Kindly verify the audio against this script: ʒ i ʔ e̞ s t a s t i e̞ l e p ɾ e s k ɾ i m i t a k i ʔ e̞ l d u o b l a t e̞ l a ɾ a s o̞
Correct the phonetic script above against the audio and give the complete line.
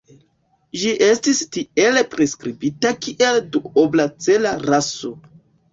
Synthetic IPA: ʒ i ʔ e̞ s t i s t i e̞ l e p ɾ e s k ɾ i b i t a k i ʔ e̞ l d u o b l a t͡s e̞ l a ɾ a s o̞